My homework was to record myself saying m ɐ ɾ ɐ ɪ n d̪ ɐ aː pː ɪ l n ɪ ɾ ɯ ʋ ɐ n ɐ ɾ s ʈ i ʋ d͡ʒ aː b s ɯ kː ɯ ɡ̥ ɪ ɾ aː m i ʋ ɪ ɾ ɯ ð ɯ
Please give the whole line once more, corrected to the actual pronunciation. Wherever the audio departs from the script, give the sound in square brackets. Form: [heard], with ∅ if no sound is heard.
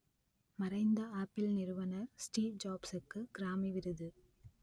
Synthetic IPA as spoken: m ɐ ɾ ɐ ɪ n d̪ ɐ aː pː ɪ l n ɪ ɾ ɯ ʋ ɐ n ɐ ɾ s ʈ [iː] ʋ d͡ʒ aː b s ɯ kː ɯ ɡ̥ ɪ ɾ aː m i ʋ ɪ ɾ ɯ ð ɯ